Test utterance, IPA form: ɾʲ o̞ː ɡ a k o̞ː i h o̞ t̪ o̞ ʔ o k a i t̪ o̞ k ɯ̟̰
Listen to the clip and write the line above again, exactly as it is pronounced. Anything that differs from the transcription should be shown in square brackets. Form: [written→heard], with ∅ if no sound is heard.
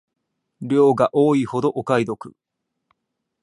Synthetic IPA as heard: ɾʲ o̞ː ɡ a [k→ʔ] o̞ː i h o̞ [t̪→d̪] o̞ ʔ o k a i [t̪→d̪] o̞ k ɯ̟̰

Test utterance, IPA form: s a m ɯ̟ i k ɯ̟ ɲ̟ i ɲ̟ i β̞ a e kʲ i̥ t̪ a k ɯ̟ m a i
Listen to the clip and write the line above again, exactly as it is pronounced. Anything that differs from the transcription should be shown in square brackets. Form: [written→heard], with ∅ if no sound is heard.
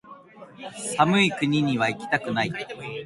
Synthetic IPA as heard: s a m ɯ̟ i k ɯ̟ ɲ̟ i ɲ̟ i β̞ a [e→i] kʲ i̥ t̪ a k ɯ̟ [m→n] a i

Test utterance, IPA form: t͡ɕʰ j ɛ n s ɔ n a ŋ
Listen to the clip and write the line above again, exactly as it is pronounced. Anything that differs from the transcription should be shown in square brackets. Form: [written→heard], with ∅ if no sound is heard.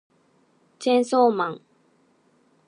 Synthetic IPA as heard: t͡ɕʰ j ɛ n s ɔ [n→m] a ŋ

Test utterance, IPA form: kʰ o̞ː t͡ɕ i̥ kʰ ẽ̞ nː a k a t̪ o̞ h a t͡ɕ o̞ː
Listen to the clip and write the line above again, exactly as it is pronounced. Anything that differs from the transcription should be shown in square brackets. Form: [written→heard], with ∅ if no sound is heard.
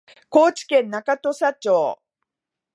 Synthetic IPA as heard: [kʰ→k] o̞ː t͡ɕ i̥ [kʰ→k] ẽ̞ nː a k a t̪ o̞ [h→ɕ] a t͡ɕ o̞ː

